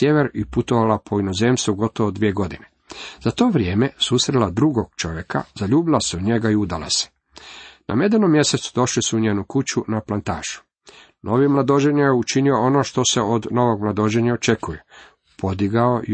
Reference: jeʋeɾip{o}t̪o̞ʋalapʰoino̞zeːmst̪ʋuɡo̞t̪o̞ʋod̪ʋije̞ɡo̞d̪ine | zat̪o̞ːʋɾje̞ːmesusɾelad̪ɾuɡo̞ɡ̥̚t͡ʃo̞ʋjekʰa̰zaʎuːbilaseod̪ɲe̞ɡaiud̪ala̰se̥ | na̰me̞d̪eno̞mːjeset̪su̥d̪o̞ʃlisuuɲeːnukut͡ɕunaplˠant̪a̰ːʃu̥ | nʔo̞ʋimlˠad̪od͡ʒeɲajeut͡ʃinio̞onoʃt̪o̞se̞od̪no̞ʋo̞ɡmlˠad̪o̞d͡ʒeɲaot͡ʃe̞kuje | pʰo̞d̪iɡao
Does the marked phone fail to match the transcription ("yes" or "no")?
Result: yes